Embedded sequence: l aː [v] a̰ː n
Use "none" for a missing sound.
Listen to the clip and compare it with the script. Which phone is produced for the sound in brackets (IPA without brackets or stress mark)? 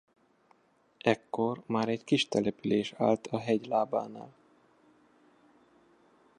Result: b